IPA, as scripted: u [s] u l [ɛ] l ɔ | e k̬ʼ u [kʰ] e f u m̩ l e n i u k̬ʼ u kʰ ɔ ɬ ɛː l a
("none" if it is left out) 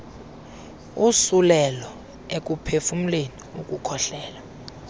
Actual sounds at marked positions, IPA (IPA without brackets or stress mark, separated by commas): s, ɛ, pʰ